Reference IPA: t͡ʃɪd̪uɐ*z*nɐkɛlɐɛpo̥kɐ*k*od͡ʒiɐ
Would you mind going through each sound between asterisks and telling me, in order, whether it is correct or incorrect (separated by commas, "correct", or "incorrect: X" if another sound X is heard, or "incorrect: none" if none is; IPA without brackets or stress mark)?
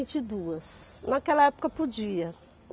incorrect: s, incorrect: p